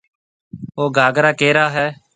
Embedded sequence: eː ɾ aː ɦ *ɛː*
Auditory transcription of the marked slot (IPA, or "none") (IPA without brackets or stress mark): ɛː